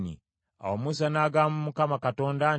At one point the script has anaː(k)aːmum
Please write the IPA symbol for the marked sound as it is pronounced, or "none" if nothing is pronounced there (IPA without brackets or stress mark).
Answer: ɡ